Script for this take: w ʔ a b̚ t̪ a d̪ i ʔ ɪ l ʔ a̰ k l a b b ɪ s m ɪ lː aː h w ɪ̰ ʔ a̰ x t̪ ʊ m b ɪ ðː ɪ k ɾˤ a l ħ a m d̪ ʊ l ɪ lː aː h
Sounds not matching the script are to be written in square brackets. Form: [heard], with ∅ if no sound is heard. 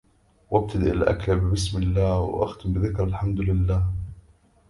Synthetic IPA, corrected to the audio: w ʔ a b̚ t̪ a d̪ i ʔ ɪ l ʔ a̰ k l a b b ɪ s m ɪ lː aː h w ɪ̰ ʔ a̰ x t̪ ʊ m b ɪ [ð] ɪ k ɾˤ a l ħ a m d̪ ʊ l ɪ lː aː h